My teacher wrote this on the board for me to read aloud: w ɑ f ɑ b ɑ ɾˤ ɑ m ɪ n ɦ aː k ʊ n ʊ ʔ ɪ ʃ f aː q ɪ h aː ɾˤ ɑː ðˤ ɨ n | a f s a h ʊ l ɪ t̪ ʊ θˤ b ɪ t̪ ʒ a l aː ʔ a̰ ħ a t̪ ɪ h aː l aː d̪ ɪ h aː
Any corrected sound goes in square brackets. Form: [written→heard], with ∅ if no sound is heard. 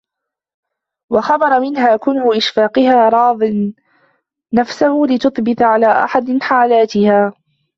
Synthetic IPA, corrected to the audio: w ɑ [f→x] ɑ b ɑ ɾˤ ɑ m ɪ n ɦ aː k ʊ n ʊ ʔ ɪ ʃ f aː q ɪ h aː ɾˤ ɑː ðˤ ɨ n | a f s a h ʊ l ɪ t̪ ʊ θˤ b ɪ t̪ [ʒ→ʕ] a l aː ʔ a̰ ħ a [t̪→d̪] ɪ [h→ħ] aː l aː [d̪→t̪] ɪ h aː